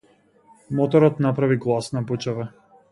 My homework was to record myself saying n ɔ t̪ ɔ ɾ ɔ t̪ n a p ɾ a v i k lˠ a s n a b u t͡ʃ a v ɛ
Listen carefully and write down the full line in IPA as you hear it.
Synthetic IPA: m ɔ t̪ ɔ ɾ ɔ t̪ n a p ɾ a v i ɡ lˠ a s n a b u t͡ʃ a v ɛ